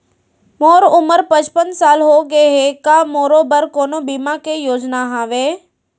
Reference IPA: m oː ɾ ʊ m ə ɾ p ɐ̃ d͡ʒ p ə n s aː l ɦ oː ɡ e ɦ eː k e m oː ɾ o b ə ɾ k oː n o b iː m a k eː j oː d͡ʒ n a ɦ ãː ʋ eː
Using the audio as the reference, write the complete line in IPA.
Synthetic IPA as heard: m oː ɾ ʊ m ə ɾ p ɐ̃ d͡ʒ p ə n s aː l ɦ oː ɡ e ɦ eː k a m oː ɾ o b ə ɾ k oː n o b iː m a k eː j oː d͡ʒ n a ɦ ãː ʋ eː